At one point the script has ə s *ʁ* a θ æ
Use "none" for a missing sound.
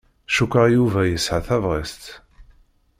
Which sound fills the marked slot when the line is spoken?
ʕ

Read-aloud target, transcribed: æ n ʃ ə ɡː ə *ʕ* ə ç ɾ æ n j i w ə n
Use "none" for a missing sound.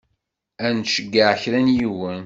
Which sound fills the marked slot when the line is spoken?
ʕ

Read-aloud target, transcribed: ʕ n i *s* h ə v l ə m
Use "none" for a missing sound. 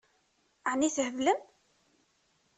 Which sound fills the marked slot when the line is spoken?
θ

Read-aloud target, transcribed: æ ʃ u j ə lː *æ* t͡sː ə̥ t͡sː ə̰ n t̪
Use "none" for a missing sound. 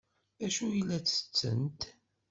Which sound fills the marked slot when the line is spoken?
æ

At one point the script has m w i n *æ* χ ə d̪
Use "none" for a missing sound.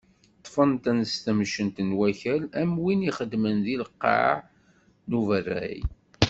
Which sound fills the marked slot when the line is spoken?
i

